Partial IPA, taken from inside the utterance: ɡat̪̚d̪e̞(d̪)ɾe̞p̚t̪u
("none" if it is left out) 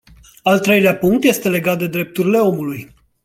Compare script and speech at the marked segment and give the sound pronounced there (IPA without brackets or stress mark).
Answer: d̪